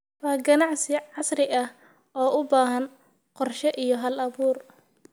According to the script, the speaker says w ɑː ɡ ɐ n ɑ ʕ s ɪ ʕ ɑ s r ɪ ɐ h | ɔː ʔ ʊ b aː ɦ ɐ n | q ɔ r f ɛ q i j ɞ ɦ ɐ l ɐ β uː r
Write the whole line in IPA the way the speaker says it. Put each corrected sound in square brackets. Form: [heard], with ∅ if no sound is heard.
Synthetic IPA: w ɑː ɡ ɐ n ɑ ʕ s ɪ ʕ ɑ s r ɪ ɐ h | ɔː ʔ ʊ b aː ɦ ɐ n | q ɔ r [ʃ] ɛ [ʔ] i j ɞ ɦ ɐ l ɐ β uː r